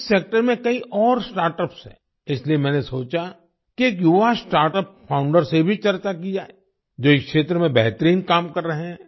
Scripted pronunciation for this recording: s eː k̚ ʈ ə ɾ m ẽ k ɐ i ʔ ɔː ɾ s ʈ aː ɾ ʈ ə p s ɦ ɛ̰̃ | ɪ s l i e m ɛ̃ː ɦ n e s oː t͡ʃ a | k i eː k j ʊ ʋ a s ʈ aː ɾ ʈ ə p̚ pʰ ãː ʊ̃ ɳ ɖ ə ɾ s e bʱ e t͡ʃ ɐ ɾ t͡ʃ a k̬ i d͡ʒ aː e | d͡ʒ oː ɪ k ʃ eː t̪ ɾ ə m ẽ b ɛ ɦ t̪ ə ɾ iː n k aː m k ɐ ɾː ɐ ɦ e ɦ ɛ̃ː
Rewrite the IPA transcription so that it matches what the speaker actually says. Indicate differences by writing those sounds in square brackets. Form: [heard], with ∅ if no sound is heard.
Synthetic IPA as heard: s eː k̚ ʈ ə ɾ m ẽ k ɐ i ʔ ɔː ɾ s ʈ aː ɾ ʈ ə p s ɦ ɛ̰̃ | ɪ s l i e m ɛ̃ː [∅] n e s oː t͡ʃ a | k i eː k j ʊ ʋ a s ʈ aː ɾ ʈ ə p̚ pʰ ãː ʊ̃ ɳ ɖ ə ɾ s e bʱ [i] t͡ʃ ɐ ɾ t͡ʃ a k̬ i d͡ʒ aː e | d͡ʒ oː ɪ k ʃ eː t̪ ɾ ə m ẽ b ɛ ɦ t̪ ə ɾ iː n k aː m k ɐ ɾː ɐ ɦ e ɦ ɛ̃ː